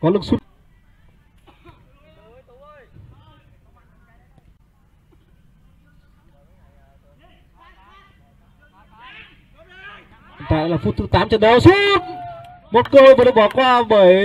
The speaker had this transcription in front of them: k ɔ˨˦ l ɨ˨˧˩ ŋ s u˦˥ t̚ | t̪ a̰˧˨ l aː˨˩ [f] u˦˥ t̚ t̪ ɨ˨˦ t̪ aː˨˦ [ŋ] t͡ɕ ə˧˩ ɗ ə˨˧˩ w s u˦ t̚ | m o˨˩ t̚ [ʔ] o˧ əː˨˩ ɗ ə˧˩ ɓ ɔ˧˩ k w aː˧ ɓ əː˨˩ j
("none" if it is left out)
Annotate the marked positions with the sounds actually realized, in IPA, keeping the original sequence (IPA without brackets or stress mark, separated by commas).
f, m, k